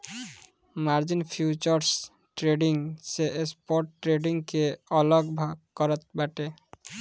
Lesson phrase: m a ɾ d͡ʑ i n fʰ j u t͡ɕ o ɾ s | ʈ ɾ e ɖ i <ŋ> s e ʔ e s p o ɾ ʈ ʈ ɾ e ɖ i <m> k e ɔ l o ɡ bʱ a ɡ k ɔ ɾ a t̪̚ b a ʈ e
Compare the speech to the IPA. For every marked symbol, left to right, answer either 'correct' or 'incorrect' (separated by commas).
correct, incorrect